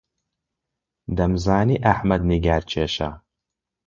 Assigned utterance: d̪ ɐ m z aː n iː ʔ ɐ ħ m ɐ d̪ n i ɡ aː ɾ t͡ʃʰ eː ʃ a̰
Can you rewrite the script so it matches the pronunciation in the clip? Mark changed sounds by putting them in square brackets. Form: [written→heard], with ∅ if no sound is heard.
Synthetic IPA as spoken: d̪ ɐ m z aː n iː ʔ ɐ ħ m ɐ d̪ n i ɡ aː ɾ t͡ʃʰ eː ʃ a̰